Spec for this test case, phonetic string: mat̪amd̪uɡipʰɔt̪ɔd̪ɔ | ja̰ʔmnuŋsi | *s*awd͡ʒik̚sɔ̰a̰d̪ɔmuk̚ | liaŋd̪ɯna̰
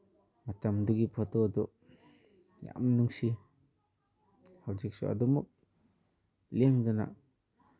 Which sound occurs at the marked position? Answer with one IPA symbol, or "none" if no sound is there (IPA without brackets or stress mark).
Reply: h